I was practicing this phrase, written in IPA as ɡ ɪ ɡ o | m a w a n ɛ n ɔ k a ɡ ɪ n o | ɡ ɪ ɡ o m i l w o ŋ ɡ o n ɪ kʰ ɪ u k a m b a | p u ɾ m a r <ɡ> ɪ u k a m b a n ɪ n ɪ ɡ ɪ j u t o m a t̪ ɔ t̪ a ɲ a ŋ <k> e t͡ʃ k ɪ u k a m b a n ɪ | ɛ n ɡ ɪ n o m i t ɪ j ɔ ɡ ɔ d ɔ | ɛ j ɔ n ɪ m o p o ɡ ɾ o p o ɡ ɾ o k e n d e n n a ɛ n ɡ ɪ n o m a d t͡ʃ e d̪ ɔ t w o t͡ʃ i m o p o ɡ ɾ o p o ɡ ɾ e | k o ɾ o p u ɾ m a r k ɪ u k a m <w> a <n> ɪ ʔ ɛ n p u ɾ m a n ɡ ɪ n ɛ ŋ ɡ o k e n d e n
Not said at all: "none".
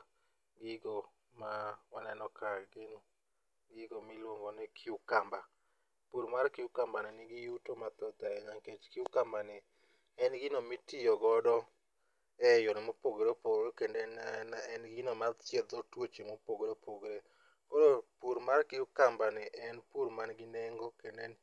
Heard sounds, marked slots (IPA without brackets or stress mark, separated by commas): k, k, b, n